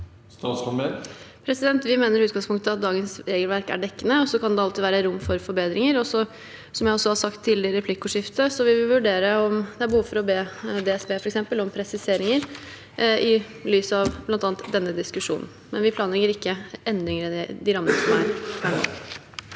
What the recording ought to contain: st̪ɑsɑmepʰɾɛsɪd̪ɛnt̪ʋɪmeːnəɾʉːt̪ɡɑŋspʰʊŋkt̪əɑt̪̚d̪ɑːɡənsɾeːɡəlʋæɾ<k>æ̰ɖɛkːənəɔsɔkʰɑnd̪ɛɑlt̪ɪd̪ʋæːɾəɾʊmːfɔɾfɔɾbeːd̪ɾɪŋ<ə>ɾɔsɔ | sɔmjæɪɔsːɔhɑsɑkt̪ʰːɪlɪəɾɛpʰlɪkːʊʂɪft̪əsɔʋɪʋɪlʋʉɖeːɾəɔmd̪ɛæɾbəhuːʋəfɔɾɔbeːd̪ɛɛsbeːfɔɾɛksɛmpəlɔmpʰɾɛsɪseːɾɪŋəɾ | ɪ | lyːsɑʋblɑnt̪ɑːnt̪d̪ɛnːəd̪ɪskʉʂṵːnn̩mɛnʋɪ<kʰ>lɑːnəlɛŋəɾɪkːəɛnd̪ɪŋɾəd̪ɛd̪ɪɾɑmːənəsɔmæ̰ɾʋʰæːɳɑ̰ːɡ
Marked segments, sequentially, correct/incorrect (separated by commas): correct, correct, incorrect